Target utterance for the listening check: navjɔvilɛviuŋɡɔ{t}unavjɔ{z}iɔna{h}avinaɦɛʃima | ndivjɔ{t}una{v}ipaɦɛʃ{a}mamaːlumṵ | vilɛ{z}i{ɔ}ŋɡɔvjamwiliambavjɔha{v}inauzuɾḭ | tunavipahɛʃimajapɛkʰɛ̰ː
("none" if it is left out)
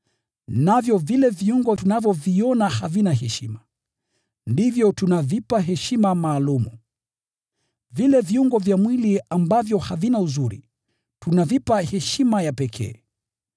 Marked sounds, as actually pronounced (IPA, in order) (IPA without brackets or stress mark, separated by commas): t, v, h, t, v, i, v, u, v